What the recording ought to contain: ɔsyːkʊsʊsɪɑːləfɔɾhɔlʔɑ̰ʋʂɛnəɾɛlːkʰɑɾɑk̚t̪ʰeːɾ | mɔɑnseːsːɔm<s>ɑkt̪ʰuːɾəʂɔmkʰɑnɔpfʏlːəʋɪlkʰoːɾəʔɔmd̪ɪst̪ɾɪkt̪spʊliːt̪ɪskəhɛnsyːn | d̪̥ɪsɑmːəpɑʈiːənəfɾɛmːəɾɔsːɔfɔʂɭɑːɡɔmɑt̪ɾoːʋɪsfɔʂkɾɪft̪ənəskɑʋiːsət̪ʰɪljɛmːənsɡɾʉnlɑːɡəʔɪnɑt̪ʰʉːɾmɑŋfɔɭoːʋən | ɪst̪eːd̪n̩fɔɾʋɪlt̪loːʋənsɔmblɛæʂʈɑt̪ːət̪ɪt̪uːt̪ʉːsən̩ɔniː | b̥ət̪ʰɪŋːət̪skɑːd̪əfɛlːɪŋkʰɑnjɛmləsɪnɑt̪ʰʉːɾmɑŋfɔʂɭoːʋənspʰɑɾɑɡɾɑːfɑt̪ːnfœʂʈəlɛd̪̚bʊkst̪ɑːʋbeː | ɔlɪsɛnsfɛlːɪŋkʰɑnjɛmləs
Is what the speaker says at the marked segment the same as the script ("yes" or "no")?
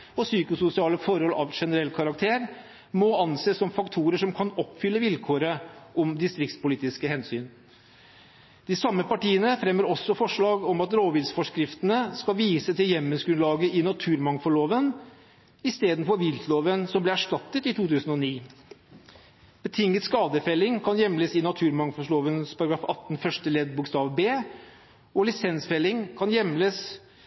no